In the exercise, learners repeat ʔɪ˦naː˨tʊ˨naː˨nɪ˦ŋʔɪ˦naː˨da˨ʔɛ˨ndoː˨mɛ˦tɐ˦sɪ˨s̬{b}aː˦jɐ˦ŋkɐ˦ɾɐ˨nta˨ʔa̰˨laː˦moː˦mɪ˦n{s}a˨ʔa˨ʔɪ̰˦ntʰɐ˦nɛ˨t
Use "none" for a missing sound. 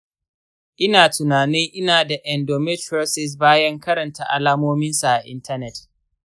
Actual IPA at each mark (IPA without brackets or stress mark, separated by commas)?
b, s